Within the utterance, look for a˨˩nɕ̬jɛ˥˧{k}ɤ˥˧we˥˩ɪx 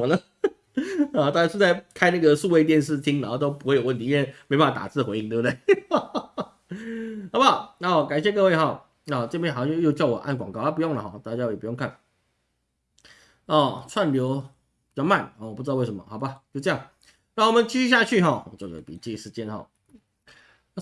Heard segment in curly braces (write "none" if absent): k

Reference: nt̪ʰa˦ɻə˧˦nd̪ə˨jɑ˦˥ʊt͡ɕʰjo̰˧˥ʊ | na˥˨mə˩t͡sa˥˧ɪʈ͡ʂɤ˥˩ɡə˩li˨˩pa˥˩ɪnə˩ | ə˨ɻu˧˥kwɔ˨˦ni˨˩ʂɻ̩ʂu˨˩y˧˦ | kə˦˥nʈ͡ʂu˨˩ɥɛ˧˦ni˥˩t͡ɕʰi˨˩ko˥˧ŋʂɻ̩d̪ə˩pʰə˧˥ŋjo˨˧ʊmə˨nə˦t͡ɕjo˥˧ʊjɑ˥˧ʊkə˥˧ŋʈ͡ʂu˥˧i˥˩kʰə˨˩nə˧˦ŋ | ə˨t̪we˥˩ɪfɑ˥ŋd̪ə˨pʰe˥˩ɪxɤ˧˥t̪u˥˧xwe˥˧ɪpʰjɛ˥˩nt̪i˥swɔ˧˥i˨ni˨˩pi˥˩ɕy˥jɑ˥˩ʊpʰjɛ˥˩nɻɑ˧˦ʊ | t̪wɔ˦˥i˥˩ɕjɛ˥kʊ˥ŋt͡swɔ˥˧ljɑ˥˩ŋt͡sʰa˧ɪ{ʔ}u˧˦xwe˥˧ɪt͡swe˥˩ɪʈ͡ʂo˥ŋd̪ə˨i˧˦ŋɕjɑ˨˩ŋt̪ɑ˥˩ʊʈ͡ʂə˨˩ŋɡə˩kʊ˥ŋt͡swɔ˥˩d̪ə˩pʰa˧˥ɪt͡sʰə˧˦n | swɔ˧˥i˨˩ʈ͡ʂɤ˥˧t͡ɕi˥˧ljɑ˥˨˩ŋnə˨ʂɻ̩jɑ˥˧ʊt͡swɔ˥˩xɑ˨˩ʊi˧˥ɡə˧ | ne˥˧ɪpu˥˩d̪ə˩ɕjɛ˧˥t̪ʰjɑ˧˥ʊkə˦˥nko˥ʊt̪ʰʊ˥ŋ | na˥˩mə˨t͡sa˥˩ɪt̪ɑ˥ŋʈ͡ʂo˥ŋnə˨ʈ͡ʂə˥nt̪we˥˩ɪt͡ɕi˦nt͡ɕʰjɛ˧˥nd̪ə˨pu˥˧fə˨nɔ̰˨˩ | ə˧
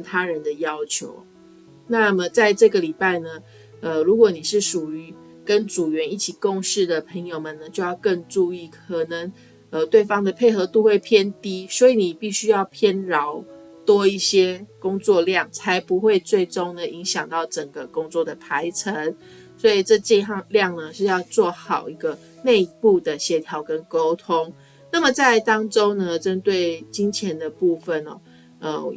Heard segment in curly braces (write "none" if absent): p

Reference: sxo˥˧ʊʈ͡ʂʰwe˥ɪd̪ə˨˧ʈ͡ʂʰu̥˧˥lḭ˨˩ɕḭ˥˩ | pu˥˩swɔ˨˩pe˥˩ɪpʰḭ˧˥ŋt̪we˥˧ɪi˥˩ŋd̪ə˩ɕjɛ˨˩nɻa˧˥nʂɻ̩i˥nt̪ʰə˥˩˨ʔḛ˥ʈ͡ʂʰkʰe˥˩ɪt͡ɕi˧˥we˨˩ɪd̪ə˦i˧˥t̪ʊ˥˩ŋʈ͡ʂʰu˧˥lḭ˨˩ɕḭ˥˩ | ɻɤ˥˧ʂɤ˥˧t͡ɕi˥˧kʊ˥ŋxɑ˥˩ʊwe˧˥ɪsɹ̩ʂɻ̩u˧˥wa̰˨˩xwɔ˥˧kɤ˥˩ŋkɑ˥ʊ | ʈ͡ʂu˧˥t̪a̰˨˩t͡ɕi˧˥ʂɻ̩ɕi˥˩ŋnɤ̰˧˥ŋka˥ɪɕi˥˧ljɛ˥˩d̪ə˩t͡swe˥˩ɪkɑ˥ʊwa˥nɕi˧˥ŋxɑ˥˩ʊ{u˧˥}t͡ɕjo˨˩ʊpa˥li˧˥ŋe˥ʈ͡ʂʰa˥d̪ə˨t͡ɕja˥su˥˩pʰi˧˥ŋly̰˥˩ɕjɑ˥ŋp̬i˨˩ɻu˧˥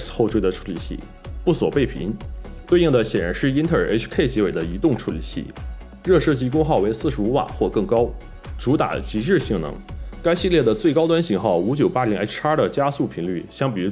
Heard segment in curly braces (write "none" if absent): u˧˥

